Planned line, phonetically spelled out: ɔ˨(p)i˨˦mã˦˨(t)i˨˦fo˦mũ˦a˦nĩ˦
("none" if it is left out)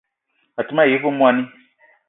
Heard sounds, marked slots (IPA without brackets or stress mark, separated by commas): t, none